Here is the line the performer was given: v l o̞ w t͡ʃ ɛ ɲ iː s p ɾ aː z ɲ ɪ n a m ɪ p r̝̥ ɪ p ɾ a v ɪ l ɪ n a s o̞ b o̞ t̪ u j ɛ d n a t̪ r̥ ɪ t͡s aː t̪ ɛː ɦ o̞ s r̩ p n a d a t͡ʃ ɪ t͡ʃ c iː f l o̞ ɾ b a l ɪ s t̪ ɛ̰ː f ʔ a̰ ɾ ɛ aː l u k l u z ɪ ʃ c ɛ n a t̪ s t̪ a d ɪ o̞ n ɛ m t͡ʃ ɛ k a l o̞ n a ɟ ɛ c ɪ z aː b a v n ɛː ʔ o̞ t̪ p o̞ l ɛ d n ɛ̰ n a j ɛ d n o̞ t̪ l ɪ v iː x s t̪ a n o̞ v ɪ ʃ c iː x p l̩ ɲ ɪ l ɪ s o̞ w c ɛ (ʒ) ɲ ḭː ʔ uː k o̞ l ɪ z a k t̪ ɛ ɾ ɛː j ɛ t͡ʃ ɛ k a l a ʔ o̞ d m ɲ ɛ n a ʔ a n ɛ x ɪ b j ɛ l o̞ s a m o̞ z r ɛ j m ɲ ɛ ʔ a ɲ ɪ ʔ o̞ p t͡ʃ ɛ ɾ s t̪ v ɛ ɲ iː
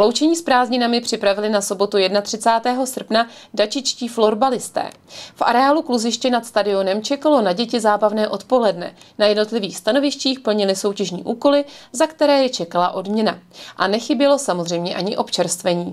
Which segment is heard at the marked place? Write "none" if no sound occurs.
ʒ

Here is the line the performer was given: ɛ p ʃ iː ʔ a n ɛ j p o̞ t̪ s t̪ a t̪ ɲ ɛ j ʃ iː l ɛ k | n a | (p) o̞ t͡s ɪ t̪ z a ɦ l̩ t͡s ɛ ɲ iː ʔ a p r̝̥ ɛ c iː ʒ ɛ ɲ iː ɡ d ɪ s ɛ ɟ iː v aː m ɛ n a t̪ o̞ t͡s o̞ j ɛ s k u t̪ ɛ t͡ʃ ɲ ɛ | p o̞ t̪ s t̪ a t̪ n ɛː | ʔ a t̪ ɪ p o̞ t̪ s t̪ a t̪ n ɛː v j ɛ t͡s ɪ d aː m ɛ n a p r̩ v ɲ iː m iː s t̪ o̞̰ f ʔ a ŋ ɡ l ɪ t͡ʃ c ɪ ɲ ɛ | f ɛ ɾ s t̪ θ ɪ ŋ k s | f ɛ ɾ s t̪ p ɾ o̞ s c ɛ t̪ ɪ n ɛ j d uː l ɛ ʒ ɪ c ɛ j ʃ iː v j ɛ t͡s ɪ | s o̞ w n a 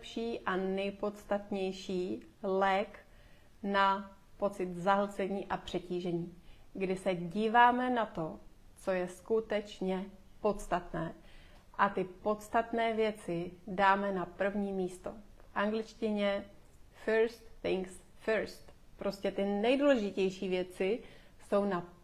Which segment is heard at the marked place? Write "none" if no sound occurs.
p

